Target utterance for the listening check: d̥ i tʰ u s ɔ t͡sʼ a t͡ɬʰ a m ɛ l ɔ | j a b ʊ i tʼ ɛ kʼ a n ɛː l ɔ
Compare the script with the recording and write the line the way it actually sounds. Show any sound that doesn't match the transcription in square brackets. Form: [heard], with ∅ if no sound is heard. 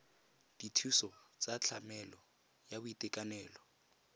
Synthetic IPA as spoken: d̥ i tʰ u s ɔ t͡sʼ a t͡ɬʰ a m ɛ l ɔ | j a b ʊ i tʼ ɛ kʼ a n ɛː l ɔ